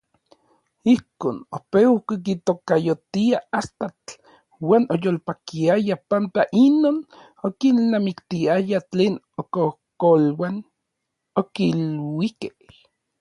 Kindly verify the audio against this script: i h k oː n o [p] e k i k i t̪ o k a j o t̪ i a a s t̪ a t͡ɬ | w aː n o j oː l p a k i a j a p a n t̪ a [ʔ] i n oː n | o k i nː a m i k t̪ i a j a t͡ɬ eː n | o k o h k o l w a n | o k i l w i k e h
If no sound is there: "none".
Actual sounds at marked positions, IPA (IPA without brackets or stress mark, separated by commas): p, ʔ